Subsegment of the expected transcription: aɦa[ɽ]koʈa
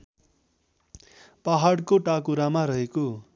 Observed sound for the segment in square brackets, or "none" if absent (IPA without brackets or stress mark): ɽ